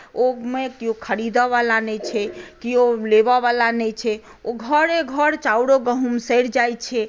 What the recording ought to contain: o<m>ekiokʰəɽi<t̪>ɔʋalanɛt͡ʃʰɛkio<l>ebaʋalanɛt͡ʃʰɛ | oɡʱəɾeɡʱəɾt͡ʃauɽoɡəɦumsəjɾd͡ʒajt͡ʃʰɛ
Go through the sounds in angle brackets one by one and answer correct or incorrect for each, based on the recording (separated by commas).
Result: correct, incorrect, correct